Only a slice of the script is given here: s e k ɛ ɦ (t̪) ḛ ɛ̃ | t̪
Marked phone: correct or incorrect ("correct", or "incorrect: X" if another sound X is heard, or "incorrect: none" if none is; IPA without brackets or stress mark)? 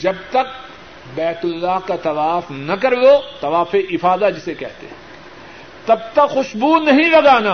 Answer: correct